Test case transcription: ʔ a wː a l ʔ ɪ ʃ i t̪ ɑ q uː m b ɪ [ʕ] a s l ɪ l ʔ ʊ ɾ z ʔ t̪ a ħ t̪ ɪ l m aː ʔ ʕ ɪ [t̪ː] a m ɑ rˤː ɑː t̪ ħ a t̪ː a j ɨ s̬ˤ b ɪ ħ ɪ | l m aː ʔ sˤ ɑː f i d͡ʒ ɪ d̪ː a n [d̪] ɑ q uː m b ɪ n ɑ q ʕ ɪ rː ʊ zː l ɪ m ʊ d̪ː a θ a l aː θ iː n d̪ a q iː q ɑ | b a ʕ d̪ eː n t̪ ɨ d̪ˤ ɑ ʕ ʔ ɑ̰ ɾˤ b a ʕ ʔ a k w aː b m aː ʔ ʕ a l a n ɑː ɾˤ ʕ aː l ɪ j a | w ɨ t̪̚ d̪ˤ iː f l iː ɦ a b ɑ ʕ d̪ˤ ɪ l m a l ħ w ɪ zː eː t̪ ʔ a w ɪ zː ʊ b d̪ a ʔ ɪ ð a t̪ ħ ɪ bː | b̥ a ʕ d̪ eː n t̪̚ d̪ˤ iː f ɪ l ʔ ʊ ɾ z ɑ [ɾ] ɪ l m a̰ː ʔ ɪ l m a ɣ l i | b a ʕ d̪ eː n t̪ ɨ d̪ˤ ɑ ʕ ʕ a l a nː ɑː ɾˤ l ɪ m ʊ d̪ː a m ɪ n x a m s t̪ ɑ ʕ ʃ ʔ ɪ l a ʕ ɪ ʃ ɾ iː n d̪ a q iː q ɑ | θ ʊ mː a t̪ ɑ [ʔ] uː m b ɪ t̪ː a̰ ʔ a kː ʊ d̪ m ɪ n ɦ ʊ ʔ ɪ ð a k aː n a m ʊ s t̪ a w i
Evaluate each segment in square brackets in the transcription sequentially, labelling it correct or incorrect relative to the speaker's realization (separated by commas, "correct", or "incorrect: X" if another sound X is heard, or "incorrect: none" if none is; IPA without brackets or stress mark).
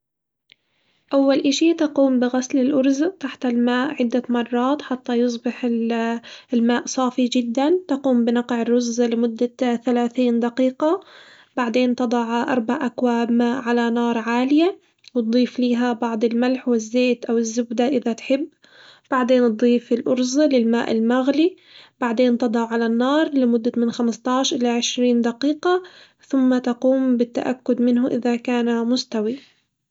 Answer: incorrect: ɣ, incorrect: d̪ː, incorrect: t̪, incorrect: l, incorrect: q